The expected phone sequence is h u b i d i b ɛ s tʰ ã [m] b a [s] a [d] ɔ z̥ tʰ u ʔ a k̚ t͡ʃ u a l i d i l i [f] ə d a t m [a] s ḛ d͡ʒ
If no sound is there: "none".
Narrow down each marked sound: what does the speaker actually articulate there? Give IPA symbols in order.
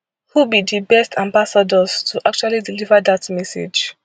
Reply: m, s, d, v, ɛ

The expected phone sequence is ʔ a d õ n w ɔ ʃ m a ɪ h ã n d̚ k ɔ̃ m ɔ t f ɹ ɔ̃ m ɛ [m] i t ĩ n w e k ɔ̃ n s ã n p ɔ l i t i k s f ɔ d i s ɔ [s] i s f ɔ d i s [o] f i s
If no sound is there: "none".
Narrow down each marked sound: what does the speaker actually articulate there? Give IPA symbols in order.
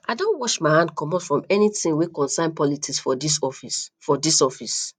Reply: n, f, ɔ

